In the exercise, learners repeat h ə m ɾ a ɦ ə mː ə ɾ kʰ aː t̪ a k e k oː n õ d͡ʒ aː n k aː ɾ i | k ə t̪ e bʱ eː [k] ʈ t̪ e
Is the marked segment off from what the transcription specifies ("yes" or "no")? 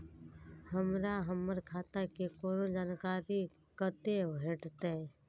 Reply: yes